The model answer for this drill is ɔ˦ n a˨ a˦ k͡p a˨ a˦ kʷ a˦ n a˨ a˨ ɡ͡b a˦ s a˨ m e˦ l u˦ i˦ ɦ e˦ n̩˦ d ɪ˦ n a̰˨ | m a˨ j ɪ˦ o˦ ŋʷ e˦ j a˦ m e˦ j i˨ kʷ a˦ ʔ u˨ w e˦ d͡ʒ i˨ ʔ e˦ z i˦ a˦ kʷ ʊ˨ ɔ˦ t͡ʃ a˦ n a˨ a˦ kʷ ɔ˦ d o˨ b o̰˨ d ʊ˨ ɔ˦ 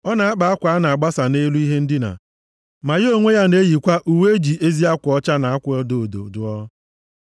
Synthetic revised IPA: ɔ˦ n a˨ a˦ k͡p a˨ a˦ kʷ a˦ n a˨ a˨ ɡ͡b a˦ s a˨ n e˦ l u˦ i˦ ɦ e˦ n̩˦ d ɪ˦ n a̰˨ | m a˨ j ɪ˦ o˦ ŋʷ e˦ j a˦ n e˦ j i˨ kʷ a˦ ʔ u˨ w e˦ d͡ʒ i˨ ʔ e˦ z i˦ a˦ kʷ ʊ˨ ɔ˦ t͡ʃ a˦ n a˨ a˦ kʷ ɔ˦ d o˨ d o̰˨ d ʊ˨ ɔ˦

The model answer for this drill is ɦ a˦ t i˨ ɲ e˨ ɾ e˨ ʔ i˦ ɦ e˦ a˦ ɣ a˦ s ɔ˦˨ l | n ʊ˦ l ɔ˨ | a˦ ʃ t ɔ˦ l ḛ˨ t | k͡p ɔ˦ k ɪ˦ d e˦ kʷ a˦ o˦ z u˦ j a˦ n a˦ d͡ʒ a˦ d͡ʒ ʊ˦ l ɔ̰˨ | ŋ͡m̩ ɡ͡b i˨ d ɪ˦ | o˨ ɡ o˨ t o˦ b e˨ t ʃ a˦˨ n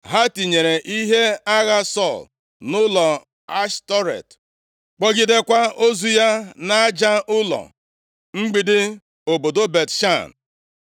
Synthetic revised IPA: ɦ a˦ t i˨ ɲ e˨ ɾ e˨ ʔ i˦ ɦ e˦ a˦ ɣ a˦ s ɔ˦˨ l | n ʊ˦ l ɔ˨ | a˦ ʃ t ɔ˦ ɾ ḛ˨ t | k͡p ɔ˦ ɡ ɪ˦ d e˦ kʷ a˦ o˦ z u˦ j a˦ n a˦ d͡ʒ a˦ ʊ˦ l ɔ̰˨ | ŋ͡m̩ ɡ͡b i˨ d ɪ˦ | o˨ b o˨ d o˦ b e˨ t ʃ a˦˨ n

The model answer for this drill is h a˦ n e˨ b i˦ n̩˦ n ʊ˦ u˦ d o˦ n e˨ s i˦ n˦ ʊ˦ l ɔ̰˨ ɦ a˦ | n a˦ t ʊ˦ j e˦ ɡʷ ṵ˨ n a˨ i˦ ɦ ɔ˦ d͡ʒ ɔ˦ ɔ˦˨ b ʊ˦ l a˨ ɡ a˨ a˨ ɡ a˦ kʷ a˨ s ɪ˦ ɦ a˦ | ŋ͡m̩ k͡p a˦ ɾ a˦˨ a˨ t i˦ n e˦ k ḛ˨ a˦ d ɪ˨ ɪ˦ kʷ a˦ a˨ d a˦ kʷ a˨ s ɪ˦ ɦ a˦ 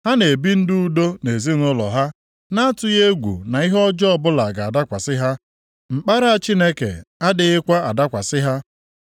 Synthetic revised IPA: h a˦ n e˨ b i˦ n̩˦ d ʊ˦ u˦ d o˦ n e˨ z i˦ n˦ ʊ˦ l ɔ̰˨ ɦ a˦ | n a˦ t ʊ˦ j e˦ ɡʷ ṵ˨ n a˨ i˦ ɦ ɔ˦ d͡ʒ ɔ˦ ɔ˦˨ b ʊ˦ l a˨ ɡ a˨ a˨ d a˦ kʷ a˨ s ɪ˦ ɦ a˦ | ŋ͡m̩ k͡p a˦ ɾ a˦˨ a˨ t͡ʃ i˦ n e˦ k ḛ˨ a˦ d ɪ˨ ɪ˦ kʷ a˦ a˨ d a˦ kʷ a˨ s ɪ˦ ɦ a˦

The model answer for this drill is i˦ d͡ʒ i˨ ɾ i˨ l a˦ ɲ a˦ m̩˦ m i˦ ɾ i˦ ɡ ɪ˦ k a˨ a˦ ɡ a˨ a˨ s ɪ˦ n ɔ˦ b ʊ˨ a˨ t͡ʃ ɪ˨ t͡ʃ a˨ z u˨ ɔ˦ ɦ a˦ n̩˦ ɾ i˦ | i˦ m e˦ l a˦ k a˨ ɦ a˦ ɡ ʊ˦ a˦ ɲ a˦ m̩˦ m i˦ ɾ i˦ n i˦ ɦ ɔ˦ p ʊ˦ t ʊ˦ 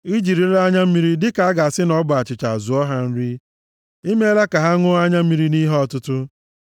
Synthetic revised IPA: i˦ d͡ʒ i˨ ɾ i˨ ɾ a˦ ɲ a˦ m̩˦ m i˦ ɾ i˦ d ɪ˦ k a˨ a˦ ɡ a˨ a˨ s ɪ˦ n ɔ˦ b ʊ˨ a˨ t͡ʃ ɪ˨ t͡ʃ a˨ z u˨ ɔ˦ ɦ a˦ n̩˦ ɾ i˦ | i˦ m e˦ l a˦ k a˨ ɦ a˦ ŋ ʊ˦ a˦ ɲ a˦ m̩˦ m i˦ ɾ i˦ n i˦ ɦ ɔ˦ t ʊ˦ t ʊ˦

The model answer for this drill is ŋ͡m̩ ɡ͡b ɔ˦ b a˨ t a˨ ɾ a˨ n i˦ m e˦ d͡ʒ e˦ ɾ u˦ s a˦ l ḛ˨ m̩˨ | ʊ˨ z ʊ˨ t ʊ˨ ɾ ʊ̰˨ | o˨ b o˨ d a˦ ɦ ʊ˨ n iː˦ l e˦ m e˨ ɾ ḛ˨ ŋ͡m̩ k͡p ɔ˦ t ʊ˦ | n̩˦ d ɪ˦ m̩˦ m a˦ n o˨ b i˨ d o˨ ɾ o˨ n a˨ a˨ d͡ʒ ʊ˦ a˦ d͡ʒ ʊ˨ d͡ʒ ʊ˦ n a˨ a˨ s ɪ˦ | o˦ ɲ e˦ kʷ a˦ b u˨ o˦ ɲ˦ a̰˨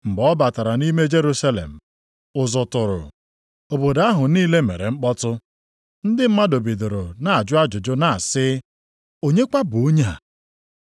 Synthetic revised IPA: ŋ͡m̩ ɡ͡b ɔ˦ b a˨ t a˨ ɾ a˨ n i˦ m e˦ d͡ʒ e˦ ɾ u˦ s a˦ l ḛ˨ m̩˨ | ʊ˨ z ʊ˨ t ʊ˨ ɾ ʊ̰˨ | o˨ b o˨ d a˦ ɦ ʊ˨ n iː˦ l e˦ m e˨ ɾ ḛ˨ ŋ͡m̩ k͡p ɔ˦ t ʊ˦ | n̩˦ d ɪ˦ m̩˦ m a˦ d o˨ b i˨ d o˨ ɾ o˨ n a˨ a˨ d͡ʒ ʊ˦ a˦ d͡ʒ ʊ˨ d͡ʒ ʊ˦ n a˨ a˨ s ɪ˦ | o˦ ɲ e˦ kʷ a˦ b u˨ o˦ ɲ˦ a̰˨

